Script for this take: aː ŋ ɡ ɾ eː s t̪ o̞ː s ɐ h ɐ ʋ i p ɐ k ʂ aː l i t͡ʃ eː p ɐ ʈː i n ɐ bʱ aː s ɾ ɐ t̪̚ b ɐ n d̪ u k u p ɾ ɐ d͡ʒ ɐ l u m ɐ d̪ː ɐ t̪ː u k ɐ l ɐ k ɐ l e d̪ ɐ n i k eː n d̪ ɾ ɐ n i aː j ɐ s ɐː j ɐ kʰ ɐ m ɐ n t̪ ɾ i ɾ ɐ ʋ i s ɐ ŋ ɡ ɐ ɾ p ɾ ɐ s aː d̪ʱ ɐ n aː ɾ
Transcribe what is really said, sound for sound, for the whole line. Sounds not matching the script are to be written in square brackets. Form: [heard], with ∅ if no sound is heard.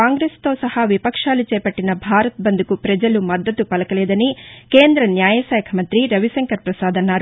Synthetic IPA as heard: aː ŋ ɡ ɾ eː s t̪ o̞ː s ɐ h ɐ ʋ i p ɐ k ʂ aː l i t͡ʃ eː p ɐ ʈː i n ɐ bʱ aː [∅] ɾ ɐ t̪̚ b ɐ n d̪ u k u p ɾ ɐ d͡ʒ ɐ l u m ɐ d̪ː ɐ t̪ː u [p] ɐ l ɐ k ɐ l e d̪ ɐ n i k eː n d̪ ɾ ɐ n [j] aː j ɐ s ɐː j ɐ kʰ ɐ m ɐ n t̪ ɾ i ɾ ɐ ʋ i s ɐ ŋ [k] ɐ ɾ p ɾ ɐ s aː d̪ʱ ɐ n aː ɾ